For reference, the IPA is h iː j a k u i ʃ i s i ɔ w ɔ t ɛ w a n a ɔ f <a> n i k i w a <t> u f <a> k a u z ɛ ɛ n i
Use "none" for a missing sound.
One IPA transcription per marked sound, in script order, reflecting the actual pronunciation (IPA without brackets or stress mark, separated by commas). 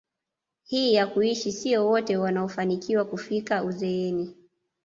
a, k, i